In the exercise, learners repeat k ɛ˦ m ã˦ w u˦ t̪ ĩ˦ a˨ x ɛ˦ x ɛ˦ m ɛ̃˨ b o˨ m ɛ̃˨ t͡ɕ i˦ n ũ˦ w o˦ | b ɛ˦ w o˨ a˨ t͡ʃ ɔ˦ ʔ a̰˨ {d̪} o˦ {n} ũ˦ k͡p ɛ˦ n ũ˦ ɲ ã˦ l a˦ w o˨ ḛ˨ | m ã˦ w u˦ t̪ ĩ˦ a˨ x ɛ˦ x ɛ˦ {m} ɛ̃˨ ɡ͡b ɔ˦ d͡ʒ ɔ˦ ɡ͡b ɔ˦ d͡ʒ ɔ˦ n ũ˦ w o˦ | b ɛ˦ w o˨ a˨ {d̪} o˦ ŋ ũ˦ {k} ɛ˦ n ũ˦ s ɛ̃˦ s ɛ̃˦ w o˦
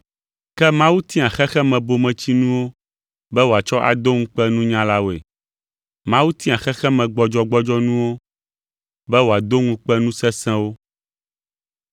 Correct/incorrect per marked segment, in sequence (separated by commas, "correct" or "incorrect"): correct, incorrect, correct, correct, incorrect